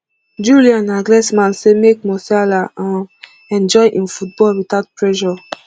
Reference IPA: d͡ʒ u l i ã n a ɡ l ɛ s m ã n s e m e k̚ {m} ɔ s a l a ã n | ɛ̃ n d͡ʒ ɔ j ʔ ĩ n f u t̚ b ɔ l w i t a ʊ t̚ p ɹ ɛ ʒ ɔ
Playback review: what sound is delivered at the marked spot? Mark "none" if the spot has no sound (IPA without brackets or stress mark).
m